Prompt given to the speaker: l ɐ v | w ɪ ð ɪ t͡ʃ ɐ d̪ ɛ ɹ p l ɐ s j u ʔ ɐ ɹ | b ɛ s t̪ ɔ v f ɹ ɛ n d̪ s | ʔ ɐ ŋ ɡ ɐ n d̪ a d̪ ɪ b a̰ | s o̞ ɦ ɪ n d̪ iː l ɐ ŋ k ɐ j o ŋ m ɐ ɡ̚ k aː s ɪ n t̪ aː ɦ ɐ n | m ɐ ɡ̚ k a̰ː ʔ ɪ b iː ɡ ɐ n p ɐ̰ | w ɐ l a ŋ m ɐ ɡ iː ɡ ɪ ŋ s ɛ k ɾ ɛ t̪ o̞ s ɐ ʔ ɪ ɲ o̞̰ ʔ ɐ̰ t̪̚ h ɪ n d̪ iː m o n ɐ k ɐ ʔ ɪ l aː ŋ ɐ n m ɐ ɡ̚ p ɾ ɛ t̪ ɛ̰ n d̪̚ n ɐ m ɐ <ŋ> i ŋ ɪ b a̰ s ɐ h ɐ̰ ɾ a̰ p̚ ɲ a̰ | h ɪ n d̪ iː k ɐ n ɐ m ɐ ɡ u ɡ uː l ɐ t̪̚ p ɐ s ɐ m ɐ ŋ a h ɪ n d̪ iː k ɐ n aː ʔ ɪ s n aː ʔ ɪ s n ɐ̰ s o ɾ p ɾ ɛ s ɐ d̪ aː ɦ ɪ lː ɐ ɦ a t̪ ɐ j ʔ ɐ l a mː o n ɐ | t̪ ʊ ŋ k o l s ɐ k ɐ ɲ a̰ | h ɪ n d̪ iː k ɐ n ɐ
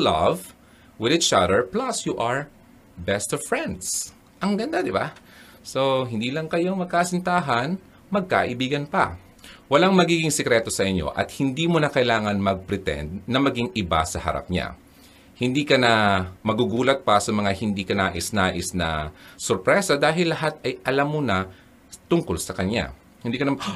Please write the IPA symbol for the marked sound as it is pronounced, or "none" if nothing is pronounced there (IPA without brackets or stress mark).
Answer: ɡ